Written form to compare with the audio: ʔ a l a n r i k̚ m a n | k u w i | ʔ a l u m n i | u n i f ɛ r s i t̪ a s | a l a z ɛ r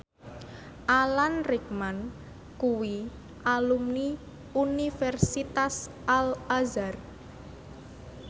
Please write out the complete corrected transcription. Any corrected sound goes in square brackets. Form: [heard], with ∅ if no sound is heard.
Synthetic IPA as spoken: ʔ a l a n r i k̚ m a n | k u w i | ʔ a l u m n i | u n i f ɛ r s i t̪ a s | a l a z [a] r